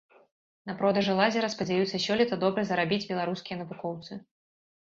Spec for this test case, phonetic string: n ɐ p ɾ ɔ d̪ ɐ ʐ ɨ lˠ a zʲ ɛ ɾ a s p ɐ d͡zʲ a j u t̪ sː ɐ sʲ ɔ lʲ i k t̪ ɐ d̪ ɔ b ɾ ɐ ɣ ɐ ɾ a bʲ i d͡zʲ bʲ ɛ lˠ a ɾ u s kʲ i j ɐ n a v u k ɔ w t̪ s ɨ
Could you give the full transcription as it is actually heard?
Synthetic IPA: n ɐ p ɾ ɔ d̪ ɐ ʐ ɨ lˠ a zʲ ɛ ɾ ɐ s p ɐ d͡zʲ a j u t̪ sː ɐ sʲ ɔ lʲ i t̪ ɐ d̪ ɔ b ɾ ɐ z ɐ ɾ a bʲ i d͡zʲ bʲ ɛ lˠ a ɾ u s kʲ i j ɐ n ɐ v u k ɔ w t̪ s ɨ